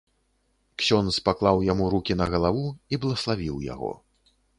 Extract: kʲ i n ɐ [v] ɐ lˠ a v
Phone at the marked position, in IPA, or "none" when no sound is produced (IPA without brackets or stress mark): ɣ